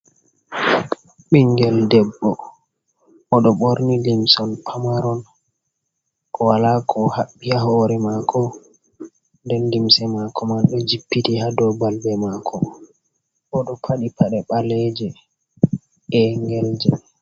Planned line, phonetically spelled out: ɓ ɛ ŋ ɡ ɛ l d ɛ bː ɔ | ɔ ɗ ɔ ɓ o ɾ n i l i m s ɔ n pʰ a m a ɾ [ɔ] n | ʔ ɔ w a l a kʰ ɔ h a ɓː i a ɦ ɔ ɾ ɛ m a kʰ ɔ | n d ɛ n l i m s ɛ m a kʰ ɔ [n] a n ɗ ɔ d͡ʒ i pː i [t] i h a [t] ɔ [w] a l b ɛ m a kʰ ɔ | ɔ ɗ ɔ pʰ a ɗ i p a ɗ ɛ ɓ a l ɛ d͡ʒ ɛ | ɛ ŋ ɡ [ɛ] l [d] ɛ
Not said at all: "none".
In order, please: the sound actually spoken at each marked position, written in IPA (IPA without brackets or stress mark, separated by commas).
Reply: ɔ, m, t, d, b, ɛ, d͡ʒ